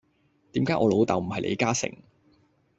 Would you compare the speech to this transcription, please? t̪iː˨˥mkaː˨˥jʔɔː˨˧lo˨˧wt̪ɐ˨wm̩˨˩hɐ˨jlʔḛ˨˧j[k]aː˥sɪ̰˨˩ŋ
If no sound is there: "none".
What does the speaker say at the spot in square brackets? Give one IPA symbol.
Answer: k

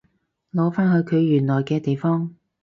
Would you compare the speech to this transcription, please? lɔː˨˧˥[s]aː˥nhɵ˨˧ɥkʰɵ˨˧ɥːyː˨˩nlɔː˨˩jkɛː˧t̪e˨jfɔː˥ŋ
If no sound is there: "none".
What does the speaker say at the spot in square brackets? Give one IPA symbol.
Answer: f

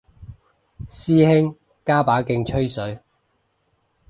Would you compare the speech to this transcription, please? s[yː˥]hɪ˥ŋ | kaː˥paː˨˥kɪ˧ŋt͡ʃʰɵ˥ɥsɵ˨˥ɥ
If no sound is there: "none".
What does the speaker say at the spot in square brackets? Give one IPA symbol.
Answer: iː˥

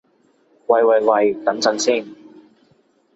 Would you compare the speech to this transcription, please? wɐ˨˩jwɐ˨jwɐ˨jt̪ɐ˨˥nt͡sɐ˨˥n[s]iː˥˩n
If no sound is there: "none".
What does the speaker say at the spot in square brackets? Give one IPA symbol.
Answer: s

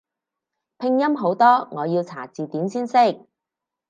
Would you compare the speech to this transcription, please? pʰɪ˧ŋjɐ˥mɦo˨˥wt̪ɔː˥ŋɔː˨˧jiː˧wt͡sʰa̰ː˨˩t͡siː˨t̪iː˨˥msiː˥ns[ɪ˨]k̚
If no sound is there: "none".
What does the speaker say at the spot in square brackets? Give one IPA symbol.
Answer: ɪ˥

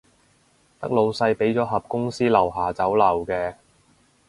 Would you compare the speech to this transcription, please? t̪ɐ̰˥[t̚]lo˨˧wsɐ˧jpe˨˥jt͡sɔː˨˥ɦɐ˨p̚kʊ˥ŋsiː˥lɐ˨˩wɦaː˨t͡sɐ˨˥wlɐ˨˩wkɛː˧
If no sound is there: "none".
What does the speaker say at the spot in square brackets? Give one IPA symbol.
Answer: k̚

